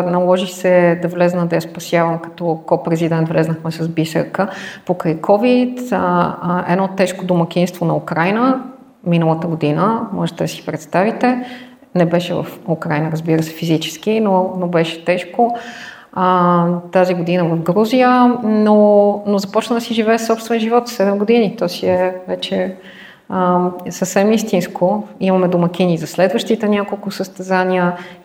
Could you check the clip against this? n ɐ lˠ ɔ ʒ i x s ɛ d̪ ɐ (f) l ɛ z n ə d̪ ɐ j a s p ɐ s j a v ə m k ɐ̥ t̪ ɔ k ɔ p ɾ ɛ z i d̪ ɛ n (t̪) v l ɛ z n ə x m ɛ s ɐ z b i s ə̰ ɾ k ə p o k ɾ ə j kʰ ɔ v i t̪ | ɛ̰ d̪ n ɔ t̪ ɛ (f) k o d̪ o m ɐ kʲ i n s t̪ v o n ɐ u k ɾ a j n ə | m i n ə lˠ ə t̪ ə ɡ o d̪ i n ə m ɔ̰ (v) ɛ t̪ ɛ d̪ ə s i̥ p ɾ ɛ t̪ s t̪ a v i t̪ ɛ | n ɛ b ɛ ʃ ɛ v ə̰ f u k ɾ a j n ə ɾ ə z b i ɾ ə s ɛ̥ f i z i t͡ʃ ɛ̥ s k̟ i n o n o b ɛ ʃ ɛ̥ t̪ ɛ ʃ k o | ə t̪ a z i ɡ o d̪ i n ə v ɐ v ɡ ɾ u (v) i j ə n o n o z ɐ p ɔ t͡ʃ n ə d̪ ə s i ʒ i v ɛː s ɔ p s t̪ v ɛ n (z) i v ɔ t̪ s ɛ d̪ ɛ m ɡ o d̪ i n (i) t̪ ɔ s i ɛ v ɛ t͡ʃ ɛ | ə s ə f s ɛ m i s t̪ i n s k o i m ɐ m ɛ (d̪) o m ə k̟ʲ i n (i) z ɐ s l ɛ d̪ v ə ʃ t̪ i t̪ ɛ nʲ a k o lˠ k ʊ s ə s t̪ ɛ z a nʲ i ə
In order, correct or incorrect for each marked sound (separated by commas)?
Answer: incorrect, correct, incorrect, incorrect, incorrect, incorrect, correct, correct, correct